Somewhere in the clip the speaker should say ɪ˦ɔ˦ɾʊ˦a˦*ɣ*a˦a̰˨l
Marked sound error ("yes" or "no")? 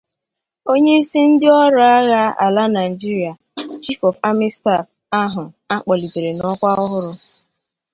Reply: no